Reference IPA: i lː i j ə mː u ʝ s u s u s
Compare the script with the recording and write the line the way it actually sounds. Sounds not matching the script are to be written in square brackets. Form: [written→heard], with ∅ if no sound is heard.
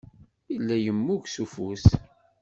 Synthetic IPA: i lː [i→æ] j ə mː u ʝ s u [s→f] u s